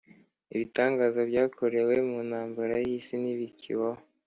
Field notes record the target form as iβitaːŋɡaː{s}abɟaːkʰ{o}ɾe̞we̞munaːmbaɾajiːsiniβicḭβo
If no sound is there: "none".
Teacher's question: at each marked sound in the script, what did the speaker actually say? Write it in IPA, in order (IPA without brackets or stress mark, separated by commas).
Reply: z, o